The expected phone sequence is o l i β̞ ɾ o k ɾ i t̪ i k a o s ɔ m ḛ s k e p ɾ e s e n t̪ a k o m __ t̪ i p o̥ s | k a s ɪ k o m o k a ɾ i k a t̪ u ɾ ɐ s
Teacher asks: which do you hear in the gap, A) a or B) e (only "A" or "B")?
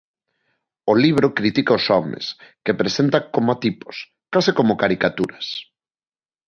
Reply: A